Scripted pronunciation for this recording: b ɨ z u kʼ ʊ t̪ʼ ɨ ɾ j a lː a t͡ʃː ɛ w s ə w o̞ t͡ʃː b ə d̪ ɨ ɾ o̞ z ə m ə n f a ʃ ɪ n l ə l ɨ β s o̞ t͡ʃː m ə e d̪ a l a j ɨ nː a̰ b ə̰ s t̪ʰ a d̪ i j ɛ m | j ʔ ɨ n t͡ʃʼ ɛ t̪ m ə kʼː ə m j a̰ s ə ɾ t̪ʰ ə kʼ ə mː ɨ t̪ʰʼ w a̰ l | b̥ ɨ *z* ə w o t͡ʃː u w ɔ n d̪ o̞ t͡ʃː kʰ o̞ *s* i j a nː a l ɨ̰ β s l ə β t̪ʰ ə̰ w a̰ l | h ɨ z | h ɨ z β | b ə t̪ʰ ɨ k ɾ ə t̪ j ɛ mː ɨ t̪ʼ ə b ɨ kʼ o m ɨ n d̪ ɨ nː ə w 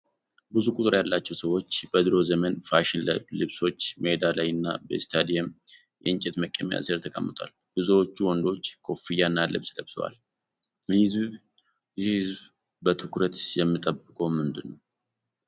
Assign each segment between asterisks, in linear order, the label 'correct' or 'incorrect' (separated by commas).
correct, incorrect